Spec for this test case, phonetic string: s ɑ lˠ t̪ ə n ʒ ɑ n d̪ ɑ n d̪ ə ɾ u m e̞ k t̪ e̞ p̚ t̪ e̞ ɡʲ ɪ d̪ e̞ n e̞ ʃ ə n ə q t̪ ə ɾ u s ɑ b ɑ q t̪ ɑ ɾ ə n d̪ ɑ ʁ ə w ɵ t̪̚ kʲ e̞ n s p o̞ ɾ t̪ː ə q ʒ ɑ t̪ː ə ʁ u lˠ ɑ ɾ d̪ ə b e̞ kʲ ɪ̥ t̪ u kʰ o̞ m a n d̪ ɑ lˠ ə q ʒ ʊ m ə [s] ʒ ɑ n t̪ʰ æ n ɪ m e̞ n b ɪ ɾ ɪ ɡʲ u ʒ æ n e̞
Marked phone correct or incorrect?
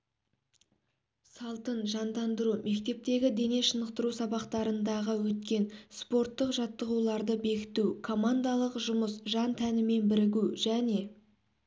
correct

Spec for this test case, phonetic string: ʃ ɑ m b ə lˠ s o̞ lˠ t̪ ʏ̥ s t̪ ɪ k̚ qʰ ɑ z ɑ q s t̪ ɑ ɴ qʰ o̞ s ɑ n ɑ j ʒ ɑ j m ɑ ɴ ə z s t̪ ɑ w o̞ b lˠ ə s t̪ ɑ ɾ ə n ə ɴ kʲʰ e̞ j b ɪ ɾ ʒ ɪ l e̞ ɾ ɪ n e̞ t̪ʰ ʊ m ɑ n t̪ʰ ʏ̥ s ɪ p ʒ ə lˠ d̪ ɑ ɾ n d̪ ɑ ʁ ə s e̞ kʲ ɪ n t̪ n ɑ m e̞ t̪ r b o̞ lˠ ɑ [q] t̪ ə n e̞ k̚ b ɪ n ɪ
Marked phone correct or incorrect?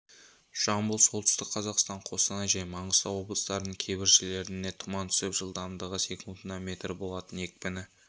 incorrect: none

